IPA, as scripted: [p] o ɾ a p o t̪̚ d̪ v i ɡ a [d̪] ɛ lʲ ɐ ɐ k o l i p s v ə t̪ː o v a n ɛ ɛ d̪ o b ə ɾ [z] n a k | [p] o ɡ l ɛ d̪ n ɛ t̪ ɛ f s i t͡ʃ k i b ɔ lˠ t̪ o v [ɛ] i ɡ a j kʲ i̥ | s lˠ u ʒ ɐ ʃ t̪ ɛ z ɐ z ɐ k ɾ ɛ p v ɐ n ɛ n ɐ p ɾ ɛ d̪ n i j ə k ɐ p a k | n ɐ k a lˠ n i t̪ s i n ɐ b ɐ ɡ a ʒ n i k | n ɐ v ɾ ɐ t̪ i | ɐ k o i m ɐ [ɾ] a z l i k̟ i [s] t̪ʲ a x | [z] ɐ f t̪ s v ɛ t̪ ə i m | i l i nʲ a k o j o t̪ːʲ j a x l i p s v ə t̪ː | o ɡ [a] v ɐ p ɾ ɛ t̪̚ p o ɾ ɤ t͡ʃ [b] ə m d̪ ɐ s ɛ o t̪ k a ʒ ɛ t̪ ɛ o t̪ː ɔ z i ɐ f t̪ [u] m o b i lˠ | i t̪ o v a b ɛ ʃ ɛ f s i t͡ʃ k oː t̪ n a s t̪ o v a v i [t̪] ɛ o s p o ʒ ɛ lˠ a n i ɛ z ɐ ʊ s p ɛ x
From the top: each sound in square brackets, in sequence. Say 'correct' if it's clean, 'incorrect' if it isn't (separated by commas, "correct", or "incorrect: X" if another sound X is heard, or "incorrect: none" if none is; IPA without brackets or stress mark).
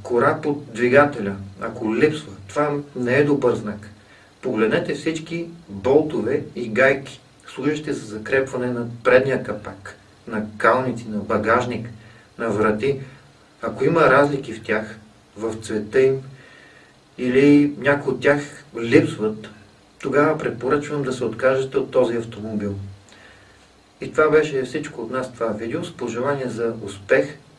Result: incorrect: k, incorrect: t̪, correct, correct, correct, correct, incorrect: f, incorrect: v, correct, incorrect: v, incorrect: o, incorrect: d̪